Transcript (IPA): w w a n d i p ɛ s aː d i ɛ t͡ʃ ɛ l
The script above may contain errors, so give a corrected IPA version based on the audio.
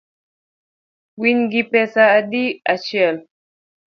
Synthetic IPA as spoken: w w i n ɡ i p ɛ s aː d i a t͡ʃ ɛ l